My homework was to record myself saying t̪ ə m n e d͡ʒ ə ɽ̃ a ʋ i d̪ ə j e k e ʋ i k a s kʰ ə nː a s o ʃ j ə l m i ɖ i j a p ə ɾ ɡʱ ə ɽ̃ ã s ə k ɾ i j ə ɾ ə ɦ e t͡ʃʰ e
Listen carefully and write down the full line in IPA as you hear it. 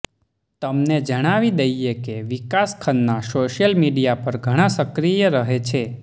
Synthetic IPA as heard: t̪ ə m n e d͡ʒ ə ɽ̃ a ʋ i d̪ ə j e k e ʋ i k a s kʰ ə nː a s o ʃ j ə l m i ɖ i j a p ə ɾ ɡʱ ə ɽ̃ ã s ə k ɾ i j ə ɾ ə ɦ e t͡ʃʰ e

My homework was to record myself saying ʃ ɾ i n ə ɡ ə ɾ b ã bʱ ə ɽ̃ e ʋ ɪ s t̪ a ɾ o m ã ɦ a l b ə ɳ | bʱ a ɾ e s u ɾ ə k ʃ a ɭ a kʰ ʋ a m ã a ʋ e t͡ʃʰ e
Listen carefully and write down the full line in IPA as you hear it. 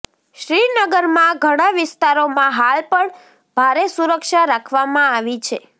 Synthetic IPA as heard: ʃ ɾ i n ə ɡ ə ɾ m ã ɡʱ ə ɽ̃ a ʋ ɪ s t̪ a ɾ o m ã ɦ a l p ə ɳ | bʱ a ɾ e s u ɾ ə k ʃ a ɾ a kʰ ʋ a m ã a ʋ i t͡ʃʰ e

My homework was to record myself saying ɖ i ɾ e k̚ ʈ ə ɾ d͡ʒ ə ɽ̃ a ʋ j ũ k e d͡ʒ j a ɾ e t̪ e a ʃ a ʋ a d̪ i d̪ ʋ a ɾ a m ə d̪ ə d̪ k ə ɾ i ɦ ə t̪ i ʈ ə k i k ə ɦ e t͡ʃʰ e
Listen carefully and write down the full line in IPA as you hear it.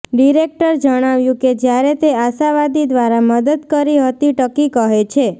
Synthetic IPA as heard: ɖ i ɾ e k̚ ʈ ə ɾ d͡ʒ ə ɽ̃ a ʋ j ũ k e d͡ʒ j a ɾ e t̪ e a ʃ a ʋ a d̪ i d̪ ʋ a ɾ a m ə d̪ ə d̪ k ə ɾ i ɦ ə t̪ i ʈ ə k i k ə ɦ e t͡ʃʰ e

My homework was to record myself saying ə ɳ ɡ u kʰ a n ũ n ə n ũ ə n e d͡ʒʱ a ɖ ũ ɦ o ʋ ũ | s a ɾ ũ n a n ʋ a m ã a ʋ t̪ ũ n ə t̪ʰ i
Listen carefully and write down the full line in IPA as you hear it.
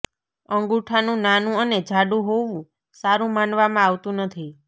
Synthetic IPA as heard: ə ŋ ɡ u ʈʰ a n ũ n a n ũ ə n e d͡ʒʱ a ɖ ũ ɦ o ʋ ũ | s a ɾ ũ m a n ʋ a m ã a ʋ t̪ ũ n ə t̪ʰ i

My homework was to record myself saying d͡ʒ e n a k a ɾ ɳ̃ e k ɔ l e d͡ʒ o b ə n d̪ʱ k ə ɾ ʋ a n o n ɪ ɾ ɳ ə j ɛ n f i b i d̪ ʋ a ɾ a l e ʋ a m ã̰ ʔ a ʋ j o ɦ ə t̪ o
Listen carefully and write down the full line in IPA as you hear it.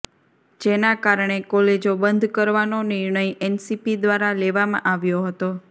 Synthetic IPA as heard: d͡ʒ e n a k a ɾ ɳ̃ e k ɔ l e d͡ʒ o b ə n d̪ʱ k ə ɾ ʋ a n o n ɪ ɾ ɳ ə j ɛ n s i p i d̪ ʋ a ɾ a l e ʋ a m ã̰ ʔ a ʋ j o ɦ ə t̪ o

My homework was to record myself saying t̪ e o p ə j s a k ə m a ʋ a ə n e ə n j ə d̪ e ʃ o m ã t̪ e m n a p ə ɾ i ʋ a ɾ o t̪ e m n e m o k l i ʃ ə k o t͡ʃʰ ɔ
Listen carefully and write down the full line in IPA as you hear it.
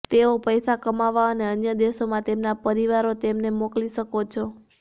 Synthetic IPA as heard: t̪ e o p ə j s a k ə m a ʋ a ə n e ə n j ə d̪ e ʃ o m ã t̪ e m n a p ə ɾ i ʋ a ɾ o t̪ e m n e m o k l i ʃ ə k o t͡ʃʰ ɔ

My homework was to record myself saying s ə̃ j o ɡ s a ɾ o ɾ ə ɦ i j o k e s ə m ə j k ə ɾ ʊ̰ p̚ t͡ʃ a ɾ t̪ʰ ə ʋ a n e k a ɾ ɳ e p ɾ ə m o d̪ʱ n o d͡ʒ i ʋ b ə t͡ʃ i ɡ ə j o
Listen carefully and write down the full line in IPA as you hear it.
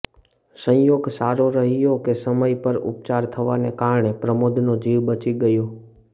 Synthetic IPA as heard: s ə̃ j o ɡ s a ɾ o ɾ ə ɦ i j o k e s ə m ə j p ə ɾ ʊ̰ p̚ t͡ʃ a ɾ t̪ʰ ə ʋ a n e k a ɾ ɳ e p ɾ ə m o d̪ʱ n o d͡ʒ i ʋ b ə t͡ʃ i ɡ ə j o

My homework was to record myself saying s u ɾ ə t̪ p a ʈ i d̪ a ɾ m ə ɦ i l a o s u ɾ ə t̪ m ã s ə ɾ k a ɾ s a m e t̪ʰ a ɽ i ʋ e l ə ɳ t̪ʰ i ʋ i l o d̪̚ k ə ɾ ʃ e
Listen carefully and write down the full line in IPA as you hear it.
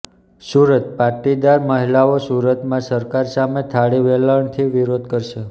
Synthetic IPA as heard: s u ɾ ə t̪ p a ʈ i d̪ a ɾ m ə ɦ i l a o s u ɾ ə t̪ m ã s ə ɾ k a ɾ s a m e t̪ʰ a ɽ i ʋ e l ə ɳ t̪ʰ i ʋ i ɾ o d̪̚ k ə ɾ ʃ e

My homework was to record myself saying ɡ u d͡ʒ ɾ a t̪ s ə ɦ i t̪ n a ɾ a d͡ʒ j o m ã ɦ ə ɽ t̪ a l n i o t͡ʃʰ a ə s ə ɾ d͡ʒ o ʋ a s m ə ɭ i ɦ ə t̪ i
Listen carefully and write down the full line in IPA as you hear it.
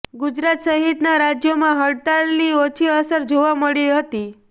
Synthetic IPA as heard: ɡ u d͡ʒ ɾ a t̪ s ə ɦ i t̪ n a ɾ a d͡ʒ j o m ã ɦ ə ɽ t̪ a l n i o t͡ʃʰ i ə s ə ɾ d͡ʒ o ʋ a m ə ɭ i ɦ ə t̪ i

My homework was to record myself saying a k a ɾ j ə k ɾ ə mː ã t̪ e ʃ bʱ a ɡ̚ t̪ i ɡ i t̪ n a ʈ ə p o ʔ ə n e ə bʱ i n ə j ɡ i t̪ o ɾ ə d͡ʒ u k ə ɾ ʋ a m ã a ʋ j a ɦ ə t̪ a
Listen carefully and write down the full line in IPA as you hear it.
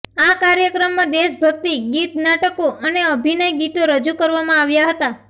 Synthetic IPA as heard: a k a ɾ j ə k ɾ ə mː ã d̪ e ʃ bʱ ə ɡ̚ t̪ i ɡ i t̪ n a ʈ ə k o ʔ ə n e ə bʱ i n ə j ɡ i t̪ o ɾ ə d͡ʒ u k ə ɾ ʋ a m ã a ʋ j a ɦ ə t̪ a

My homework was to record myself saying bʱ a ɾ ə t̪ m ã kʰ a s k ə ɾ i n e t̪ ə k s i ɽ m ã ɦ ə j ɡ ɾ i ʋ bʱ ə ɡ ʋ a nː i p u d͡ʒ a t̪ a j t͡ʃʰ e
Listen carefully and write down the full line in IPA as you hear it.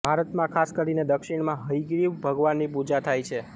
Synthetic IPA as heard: bʱ a ɾ ə t̪ m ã kʰ a s k ə ɾ i n e d̪ ə k ʃ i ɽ m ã ɦ ə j ɡ ɾ i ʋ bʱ ə ɡ ʋ a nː i p u d͡ʒ a t̪ʰ a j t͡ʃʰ e

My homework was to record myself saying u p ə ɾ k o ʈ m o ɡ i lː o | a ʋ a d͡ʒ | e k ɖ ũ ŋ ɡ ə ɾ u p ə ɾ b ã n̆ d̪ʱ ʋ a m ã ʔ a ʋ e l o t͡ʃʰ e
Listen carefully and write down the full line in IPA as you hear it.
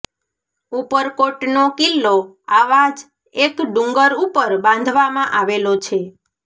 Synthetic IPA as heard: u p ə ɾ k o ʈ n o k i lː o | a ʋ a d͡ʒ | e k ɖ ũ ŋ ɡ ə ɾ u p ə ɾ b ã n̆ d̪ʱ ʋ a m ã ʔ a ʋ e l o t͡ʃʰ e

